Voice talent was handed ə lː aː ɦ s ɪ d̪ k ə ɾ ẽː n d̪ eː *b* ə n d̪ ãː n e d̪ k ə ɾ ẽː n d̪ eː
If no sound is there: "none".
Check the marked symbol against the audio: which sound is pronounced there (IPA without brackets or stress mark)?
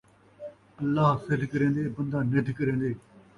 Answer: b